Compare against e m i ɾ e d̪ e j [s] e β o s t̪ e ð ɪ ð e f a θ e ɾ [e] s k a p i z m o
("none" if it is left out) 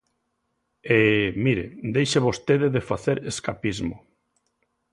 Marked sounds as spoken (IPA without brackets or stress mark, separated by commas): ʃ, e